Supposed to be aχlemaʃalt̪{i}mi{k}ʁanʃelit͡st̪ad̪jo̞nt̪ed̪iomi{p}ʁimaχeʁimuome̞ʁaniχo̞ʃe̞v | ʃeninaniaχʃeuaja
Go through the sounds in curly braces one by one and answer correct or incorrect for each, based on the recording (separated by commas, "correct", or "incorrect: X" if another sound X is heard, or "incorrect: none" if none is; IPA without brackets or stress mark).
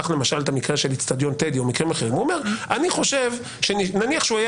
incorrect: a, correct, incorrect: k